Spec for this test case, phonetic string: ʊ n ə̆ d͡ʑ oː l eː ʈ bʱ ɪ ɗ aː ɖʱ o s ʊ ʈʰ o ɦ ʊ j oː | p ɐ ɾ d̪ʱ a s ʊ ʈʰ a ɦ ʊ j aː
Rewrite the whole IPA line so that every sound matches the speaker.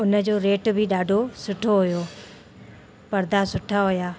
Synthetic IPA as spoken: ʊ n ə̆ d͡ʑ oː ɾ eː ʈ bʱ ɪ ɗ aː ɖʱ o s ʊ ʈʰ o ɦ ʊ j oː | p ɐ ɾ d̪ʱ a s ʊ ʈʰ a ɦ ʊ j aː